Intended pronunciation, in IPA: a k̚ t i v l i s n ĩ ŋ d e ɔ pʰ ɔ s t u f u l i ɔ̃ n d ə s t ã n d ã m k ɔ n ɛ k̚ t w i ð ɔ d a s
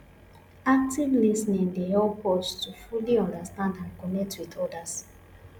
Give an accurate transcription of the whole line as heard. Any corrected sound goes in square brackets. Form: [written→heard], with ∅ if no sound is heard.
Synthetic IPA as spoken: a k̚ t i v l i s n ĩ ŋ d e ɔ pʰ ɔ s t u f u l i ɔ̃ n d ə s t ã n d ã [m→n] k ɔ n ɛ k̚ t w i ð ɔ d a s

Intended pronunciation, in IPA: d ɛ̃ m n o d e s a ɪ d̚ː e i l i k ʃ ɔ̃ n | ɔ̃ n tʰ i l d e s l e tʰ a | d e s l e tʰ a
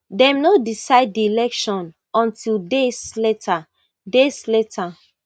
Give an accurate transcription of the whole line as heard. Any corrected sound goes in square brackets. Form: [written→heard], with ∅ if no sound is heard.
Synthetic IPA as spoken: d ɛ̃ m n o d [e→i] s a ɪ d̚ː [e→i] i l [i→ɛ] k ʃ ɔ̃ n | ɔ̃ n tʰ i l d e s l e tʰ a | d e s l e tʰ a

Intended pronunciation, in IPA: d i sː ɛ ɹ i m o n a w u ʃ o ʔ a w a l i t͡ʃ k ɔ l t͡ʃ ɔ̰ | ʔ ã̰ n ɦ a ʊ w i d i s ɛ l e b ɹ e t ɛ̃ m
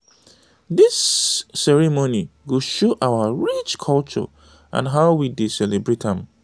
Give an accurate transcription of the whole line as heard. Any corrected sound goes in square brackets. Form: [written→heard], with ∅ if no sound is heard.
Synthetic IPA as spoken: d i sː ɛ ɹ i m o n [a→i] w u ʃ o ʔ a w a [l→ɹ] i t͡ʃ [k→kʰ] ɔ l t͡ʃ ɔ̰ | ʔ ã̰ n ɦ a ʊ w i d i s ɛ l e b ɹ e t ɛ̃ m

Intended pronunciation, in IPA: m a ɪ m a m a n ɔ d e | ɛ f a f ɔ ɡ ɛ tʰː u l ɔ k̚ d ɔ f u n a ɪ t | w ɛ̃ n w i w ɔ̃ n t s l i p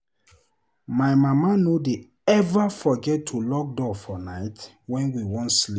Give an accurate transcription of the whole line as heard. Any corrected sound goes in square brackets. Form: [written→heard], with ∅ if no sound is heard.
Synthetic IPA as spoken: m a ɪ m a m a n [ɔ→o] d e | ɛ [f→v] a f ɔ ɡ ɛ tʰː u l ɔ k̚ d ɔ f [u→ɔ] n a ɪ t | w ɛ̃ n w i w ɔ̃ n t s l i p

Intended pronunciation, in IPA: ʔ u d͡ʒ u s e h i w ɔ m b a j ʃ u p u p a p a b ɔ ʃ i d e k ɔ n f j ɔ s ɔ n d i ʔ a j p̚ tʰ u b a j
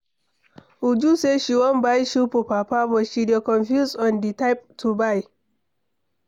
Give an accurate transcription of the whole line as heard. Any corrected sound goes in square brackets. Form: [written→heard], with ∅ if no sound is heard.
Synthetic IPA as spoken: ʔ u d͡ʒ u s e [h→ʃ] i w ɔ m b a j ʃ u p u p a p a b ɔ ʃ i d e k ɔ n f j [ɔ→u] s ɔ n d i [ʔ→t] a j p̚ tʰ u b a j

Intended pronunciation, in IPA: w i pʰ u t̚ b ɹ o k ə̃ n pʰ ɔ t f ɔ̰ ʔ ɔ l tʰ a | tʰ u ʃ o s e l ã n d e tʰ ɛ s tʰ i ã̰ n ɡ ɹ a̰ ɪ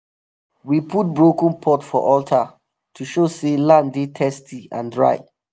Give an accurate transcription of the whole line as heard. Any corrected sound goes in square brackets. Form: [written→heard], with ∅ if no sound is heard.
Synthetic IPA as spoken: w i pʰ u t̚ b ɹ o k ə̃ n pʰ ɔ t f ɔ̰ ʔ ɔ l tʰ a | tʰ u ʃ o s e l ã n d e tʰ ɛ s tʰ i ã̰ n [ɡ→d] ɹ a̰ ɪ

